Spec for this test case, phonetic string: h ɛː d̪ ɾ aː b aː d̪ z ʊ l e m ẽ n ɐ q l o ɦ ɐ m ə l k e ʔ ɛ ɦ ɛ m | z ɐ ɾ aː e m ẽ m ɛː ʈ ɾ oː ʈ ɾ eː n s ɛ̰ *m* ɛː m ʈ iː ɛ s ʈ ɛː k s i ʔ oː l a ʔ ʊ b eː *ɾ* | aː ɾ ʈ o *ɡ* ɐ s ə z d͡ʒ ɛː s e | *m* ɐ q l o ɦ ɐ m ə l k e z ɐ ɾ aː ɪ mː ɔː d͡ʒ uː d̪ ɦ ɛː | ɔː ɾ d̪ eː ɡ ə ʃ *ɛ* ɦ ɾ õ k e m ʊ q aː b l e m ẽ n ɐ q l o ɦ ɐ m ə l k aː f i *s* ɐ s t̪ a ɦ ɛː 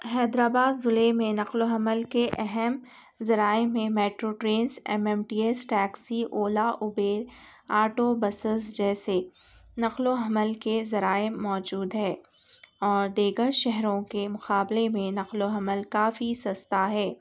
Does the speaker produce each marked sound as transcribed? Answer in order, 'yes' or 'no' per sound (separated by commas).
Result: yes, yes, no, no, yes, yes